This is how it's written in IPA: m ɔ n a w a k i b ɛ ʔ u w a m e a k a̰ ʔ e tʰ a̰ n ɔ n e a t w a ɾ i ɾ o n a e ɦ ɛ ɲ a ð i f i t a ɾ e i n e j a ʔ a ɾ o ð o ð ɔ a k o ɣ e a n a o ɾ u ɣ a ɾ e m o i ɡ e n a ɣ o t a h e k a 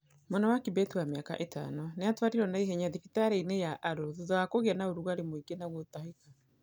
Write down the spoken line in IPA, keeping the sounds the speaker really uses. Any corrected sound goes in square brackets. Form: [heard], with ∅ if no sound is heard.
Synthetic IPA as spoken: m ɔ n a w a k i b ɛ [t] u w a m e a k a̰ ʔ e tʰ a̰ n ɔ n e a t w a ɾ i ɾ [ɔ] n a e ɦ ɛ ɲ a ð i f i t a ɾ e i n e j a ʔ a ɾ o ð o ð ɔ a k o ɣ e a n a o ɾ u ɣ a ɾ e m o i ɡ e n a ɣ o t a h e k a